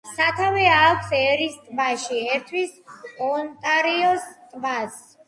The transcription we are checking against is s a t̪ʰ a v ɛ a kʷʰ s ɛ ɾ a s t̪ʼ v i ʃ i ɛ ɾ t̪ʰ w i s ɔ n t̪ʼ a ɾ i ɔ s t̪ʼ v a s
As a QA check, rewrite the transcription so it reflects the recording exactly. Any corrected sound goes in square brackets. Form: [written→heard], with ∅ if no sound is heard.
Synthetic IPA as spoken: s a t̪ʰ a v ɛ a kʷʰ s ɛ ɾ [a→i] s t̪ʼ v [i→a] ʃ i ɛ ɾ t̪ʰ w i s ɔ n t̪ʼ a ɾ i ɔ s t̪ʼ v a s